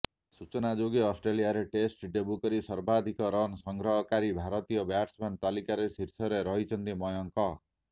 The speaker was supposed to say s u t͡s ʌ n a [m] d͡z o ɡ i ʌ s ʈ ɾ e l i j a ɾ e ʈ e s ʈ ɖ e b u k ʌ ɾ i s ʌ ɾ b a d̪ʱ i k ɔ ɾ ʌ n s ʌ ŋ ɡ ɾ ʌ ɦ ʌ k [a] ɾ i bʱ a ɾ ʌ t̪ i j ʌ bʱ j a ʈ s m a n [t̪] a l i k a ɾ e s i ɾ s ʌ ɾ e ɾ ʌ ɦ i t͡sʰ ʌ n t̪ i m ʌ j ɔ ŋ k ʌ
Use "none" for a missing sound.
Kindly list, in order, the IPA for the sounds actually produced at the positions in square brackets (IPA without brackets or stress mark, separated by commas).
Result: none, a, t̪